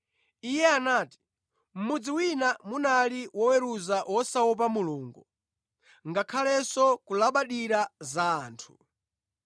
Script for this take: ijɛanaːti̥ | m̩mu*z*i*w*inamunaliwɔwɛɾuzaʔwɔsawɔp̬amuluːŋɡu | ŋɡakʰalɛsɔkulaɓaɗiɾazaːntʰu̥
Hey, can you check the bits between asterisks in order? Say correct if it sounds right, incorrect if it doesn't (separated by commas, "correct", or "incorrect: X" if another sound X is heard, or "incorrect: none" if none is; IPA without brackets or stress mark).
incorrect: d͡z, correct